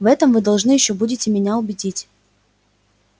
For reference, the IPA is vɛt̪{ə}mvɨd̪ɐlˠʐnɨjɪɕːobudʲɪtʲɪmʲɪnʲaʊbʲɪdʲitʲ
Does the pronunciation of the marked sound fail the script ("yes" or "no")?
no